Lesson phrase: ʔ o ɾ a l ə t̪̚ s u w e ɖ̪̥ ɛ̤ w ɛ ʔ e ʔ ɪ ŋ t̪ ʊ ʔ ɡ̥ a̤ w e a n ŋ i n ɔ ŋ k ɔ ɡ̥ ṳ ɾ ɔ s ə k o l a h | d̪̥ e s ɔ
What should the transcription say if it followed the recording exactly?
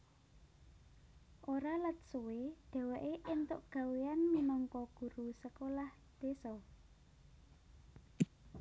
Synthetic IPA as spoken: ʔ o ɾ a l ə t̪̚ s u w e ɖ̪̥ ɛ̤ w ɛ ʔ e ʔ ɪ n t̪ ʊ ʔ ɡ̥ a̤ w e a n m i n ɔ ŋ k ɔ ɡ̥ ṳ ɾ u s ə k o l a h | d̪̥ e s ɔ